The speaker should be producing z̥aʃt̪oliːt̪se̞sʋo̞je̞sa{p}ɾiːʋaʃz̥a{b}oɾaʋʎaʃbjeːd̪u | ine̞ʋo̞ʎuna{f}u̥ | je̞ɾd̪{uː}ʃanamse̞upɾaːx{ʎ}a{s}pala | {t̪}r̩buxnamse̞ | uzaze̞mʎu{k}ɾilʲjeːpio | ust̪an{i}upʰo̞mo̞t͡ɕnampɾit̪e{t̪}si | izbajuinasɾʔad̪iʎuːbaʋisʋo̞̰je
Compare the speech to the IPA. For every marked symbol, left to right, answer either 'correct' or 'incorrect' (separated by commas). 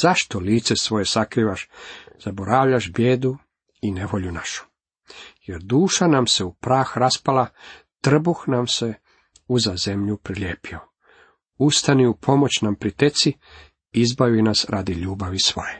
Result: incorrect, correct, incorrect, correct, incorrect, correct, correct, incorrect, correct, correct